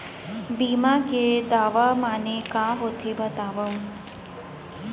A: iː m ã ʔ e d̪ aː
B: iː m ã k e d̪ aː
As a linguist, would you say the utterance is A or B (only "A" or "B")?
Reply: B